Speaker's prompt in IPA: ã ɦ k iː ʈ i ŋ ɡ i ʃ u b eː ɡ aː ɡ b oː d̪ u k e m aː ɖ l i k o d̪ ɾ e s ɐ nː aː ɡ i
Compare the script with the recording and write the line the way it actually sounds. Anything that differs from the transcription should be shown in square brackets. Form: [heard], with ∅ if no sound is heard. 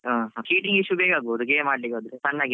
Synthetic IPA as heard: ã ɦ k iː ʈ i ŋ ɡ i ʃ u b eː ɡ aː ɡ b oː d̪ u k e m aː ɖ l i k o d̪ ɾ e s ɐ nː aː ɡ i